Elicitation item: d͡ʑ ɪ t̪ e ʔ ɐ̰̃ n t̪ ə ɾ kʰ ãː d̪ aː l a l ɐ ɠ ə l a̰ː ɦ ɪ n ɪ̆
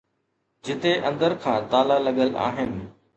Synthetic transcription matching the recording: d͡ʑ ɪ t̪ e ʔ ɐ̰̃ n d̪ ə ɾ kʰ ãː t̪ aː l a l ɐ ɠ ə l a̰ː ɦ ɪ n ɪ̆